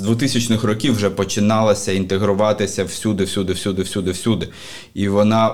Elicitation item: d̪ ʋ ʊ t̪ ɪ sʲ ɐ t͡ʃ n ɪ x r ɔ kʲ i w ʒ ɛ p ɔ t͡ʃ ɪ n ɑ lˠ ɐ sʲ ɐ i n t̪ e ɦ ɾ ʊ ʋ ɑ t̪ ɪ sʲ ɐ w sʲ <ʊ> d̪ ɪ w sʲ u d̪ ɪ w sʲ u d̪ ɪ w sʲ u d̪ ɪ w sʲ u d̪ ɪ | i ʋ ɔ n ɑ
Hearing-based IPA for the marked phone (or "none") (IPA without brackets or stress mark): u